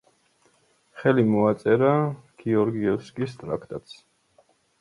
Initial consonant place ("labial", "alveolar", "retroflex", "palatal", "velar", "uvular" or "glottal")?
uvular